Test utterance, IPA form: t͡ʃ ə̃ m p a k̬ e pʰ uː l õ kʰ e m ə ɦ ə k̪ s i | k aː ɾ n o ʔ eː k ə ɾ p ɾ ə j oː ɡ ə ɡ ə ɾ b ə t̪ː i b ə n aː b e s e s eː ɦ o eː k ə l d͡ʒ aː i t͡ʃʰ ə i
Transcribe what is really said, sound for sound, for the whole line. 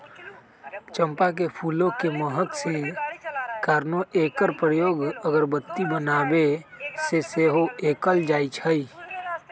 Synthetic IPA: t͡ʃ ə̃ m p a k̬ e pʰ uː l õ k e m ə ɦ ə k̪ s e | k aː ɾ n o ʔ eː k ə ɾ p ɾ ə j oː ɡ ə ɡ ə ɾ b ə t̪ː i b ə n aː b e s e s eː ɦ o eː k ə l d͡ʒ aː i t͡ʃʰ ə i

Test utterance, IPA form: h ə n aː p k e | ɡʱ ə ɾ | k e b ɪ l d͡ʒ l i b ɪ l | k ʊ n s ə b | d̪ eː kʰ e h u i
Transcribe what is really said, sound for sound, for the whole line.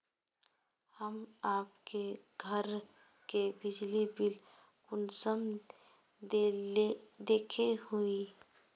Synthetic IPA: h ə m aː p k e | ɡʱ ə ɾ | k e b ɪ d͡ʒ l i b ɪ l | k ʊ n s ə m | d̪ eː kʰ e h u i

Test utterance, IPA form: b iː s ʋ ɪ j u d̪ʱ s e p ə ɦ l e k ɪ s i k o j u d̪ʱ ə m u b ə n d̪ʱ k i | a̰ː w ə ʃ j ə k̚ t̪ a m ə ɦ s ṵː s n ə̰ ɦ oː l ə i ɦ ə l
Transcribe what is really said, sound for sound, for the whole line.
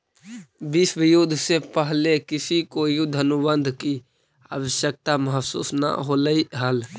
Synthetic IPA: b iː s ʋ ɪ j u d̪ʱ s e p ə ɦ l e k ɪ s i k o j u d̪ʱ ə n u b ə n d̪ʱ k i | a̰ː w ə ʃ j ə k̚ t̪ a m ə ɦ s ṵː s n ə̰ ɦ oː l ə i ɦ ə l

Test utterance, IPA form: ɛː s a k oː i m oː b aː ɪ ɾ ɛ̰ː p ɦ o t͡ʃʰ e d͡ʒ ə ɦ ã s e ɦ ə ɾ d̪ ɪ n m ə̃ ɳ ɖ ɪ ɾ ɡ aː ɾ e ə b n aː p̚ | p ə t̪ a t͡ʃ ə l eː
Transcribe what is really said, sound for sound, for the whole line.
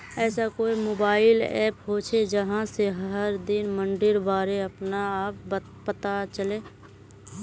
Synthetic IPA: ɛː s a k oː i m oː b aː ɪ l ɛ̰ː p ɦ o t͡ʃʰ e d͡ʒ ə ɦ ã s e ɦ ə ɾ d̪ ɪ n m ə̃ ɳ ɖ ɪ ɾ b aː ɾ e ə p n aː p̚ | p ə t̪ a t͡ʃ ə l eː

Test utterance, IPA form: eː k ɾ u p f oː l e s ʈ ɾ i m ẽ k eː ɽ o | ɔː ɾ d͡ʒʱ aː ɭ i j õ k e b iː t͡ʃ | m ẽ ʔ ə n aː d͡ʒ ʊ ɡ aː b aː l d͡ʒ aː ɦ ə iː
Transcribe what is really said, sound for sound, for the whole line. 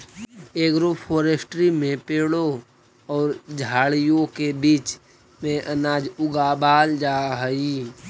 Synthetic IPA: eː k ɾ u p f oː ɾ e s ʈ ɾ i m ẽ p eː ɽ o | ɔː ɾ d͡ʒʱ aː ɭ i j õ k e b iː t͡ʃ | m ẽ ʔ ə n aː d͡ʒ ʊ ɡ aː b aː l d͡ʒ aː ɦ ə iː

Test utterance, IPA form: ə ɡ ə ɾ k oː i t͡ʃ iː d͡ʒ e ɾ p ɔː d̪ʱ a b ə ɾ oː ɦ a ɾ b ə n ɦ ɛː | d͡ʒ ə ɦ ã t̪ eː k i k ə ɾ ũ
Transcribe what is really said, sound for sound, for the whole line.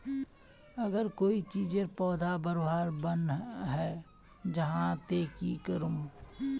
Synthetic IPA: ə ɡ ə ɾ k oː i t͡ʃ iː d͡ʒ e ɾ p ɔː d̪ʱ a b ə ɾ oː ɦ a ɾ b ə n ɦ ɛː | d͡ʒ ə ɦ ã t̪ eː k i k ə ɾ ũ

